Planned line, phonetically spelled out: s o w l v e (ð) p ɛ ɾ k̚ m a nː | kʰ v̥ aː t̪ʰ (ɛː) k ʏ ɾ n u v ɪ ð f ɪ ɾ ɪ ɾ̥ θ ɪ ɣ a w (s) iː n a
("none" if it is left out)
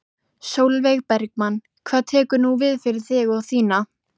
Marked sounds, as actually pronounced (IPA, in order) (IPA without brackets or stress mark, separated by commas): ɣ, ɛː, θ